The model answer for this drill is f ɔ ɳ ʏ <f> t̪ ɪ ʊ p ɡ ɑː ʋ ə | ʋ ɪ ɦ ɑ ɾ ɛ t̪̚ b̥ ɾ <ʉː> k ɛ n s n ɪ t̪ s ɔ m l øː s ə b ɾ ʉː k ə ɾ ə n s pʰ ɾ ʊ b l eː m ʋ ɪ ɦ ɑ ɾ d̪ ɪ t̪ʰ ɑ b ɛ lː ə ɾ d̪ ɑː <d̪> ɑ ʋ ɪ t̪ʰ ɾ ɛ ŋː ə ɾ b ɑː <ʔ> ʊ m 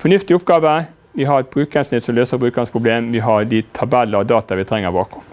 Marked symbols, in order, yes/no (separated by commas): yes, yes, no, no